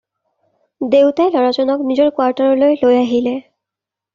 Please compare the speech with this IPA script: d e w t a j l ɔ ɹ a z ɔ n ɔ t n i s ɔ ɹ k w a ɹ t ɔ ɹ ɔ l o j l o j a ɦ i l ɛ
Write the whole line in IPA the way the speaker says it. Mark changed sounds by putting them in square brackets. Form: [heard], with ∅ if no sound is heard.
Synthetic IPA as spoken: d e w t a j l ɔ ɹ a z ɔ n ɔ [k] n i [z] ɔ ɹ k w a ɹ t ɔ ɹ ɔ l o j l o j a ɦ i l ɛ